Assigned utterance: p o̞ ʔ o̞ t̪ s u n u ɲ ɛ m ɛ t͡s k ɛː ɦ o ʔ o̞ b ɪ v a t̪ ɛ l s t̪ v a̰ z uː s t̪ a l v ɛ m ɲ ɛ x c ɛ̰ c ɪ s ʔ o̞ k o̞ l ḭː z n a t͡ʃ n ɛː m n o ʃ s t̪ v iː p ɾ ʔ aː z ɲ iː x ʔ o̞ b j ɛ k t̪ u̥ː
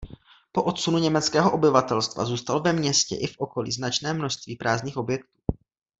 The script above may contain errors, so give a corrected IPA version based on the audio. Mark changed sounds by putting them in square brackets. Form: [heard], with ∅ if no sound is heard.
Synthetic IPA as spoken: p o̞ ʔ o̞ t̪ s u n u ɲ ɛ m ɛ t͡s k ɛː ɦ o ʔ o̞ b ɪ v a t̪ ɛ l s t̪ v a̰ z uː s t̪ a l v ɛ m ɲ ɛ [s] c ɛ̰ [ʔ] ɪ [f] ʔ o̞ k o̞ l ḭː z n a t͡ʃ n ɛː m n o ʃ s t̪ v iː p ɾ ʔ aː z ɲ iː x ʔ o̞ b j ɛ k t̪ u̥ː